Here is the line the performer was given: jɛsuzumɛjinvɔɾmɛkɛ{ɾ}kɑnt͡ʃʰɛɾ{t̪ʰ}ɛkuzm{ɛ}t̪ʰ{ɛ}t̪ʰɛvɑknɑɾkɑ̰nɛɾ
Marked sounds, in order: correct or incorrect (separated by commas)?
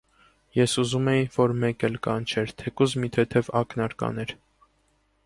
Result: incorrect, correct, incorrect, correct